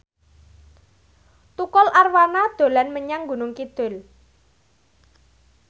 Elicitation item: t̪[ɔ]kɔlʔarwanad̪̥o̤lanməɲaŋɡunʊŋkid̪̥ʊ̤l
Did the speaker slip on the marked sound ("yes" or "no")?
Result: yes